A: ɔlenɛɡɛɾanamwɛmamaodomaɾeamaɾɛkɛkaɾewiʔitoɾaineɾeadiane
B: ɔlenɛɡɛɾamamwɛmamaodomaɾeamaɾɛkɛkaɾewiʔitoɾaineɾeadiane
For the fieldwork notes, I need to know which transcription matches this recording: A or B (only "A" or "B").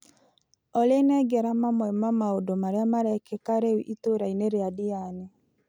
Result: B